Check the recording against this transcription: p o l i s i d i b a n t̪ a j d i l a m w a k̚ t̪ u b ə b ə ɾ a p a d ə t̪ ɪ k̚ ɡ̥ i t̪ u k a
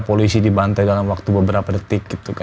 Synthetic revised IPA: p o l i s i d i b a n t̪ a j d a l a m w a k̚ t̪ u b ə b ə ɾ a p a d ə t̪ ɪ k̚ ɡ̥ i t̪ u k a